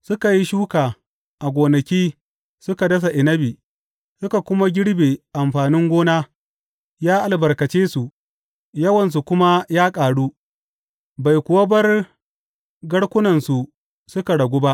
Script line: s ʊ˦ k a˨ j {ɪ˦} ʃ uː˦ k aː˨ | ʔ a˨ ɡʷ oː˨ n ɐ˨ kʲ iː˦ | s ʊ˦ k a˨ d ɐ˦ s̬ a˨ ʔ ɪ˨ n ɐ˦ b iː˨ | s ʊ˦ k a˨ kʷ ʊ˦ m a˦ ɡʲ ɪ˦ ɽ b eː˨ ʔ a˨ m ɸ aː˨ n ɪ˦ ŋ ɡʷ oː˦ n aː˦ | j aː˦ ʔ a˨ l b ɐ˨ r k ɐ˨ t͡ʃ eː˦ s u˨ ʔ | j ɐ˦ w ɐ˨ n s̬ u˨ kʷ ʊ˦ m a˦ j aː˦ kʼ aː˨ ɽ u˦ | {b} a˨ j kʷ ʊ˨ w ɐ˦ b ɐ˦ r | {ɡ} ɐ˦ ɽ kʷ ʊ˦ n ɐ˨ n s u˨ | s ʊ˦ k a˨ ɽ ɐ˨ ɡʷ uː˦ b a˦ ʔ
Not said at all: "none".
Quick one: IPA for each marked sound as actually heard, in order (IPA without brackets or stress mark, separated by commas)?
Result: i˦, b, ɡ